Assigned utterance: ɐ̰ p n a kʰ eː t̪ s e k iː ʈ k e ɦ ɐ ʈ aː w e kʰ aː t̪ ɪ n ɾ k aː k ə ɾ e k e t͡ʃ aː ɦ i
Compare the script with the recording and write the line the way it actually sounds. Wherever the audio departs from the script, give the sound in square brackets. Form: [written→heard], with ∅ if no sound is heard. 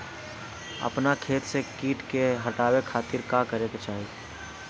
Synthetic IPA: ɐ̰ p n a kʰ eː t̪ s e k iː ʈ k e ɦ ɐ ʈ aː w e kʰ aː t̪ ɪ [n→∅] ɾ k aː k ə ɾ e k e t͡ʃ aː ɦ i